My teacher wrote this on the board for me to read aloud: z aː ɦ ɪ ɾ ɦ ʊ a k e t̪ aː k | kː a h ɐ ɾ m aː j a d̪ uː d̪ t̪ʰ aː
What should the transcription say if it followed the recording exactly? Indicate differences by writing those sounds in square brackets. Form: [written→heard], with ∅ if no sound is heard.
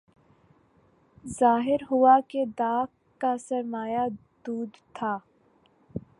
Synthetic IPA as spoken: z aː ɦ ɪ ɾ ɦ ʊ a k e [t̪→d̪] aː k | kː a [h→s] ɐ ɾ m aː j a d̪ uː d̪ t̪ʰ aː